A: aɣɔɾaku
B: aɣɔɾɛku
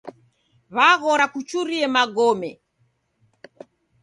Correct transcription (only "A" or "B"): A